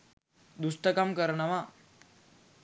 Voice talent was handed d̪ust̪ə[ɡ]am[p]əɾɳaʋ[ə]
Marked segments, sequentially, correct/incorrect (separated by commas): incorrect, incorrect, incorrect